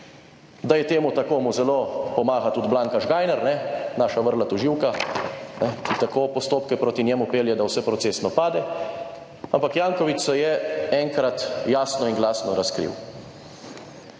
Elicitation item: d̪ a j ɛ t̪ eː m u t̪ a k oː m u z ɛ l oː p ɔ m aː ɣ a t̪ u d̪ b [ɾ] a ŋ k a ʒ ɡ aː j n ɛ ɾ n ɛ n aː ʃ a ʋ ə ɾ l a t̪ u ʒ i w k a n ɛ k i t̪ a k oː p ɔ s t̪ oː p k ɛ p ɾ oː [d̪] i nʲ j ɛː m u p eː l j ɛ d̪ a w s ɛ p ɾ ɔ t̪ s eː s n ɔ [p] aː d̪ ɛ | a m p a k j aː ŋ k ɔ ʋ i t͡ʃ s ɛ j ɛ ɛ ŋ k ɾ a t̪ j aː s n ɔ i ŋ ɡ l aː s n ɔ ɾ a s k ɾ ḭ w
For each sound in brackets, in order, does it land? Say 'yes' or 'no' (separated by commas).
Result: no, no, yes